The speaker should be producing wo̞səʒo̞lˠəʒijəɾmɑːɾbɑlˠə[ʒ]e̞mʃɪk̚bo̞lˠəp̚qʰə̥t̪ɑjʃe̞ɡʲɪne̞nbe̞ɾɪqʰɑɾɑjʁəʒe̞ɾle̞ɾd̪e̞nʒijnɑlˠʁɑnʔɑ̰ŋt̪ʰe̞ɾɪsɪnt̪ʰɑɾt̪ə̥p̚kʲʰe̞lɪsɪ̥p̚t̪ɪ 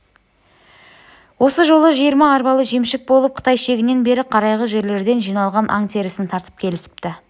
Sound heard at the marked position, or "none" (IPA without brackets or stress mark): ʒ